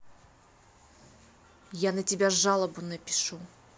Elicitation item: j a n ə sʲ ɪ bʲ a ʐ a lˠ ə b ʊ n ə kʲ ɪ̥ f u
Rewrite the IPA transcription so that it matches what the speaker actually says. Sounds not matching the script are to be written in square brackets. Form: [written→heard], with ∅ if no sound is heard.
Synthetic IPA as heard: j a n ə [sʲ→tʲ] ɪ bʲ a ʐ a lˠ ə b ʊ n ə [kʲ→pʲ] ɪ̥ [f→ʂ] u